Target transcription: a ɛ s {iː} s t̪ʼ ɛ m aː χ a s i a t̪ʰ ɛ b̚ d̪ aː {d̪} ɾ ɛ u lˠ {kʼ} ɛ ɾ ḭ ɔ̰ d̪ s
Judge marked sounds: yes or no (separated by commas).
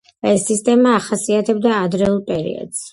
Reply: no, yes, no